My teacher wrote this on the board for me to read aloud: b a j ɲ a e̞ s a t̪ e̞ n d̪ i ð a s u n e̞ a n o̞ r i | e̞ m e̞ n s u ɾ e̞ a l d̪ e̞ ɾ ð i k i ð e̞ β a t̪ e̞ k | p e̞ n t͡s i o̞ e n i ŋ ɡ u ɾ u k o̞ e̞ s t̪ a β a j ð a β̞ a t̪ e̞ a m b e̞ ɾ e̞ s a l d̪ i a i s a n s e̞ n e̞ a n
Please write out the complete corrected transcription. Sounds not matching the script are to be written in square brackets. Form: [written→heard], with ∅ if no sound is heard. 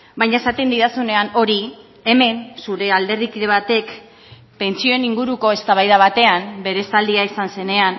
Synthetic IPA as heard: b a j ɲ a e̞ s a t̪ e̞ n d̪ i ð a s u n e̞ a n o̞ [r→ɾ] i | e̞ m e̞ n s u ɾ e̞ a l d̪ e̞ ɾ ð i k i ð e̞ β a t̪ e̞ k | p e̞ n t͡s i o̞ e n i ŋ ɡ u ɾ u k o̞ e̞ s t̪ a β a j ð a β̞ a t̪ e̞ a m b e̞ ɾ e̞ s a l d̪ i a i s a n s e̞ n e̞ a n